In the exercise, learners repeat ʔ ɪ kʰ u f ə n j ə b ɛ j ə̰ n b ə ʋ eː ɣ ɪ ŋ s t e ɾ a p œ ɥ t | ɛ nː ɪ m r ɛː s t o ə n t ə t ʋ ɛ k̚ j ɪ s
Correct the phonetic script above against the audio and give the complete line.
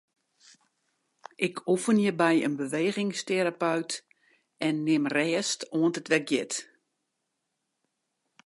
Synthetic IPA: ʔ ɪ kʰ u f ə n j ə b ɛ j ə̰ n b ə ʋ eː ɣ ɪ ŋ s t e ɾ a p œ ɥ t | ɛ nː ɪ m r ɛː s t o ə n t ə t ʋ ɛ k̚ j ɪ t